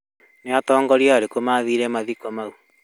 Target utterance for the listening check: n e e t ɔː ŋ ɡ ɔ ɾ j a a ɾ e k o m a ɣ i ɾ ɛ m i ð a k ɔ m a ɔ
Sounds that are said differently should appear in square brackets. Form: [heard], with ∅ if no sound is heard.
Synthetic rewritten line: n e [a] t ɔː ŋ ɡ ɔ ɾ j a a ɾ e k o m a [ð] i ɾ ɛ m [a] ð [i] k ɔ m a [u]